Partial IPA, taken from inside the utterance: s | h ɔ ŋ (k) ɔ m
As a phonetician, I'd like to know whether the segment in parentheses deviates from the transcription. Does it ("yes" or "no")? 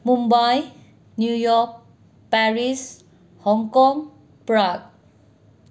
no